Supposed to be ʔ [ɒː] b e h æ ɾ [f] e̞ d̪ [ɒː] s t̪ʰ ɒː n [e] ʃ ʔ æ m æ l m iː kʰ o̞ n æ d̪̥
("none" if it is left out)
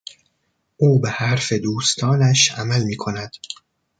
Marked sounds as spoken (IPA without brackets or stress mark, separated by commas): uː, f, uː, æ